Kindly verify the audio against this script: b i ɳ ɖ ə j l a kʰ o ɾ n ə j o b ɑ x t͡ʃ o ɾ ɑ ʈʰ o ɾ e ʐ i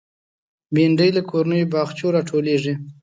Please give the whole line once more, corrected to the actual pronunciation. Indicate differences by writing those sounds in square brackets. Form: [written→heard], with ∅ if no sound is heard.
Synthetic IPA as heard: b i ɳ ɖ ə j l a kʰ o ɾ n ə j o b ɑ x t͡ʃ o ɾ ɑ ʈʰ o [ɾ→l] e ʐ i